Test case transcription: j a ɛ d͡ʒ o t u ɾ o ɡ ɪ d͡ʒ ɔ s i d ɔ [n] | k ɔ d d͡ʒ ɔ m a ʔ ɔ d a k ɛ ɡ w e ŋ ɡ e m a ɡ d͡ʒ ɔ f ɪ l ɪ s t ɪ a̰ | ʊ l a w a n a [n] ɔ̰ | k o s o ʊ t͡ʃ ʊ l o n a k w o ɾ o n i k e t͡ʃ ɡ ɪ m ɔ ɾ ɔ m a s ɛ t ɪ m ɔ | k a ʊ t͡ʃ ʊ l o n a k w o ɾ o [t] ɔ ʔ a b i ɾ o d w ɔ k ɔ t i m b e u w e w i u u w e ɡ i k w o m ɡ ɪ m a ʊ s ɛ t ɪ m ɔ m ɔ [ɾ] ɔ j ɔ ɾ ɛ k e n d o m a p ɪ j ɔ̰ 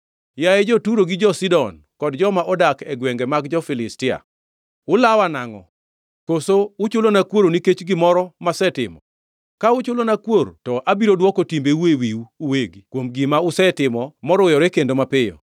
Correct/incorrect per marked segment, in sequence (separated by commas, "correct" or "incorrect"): correct, incorrect, correct, correct